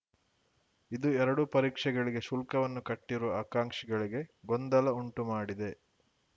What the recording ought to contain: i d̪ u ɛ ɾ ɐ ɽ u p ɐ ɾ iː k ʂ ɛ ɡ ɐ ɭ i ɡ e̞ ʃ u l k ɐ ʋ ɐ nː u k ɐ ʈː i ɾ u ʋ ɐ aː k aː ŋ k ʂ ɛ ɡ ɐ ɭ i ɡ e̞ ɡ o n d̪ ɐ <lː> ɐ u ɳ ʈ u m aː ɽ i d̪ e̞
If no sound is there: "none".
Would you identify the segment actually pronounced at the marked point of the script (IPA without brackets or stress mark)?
l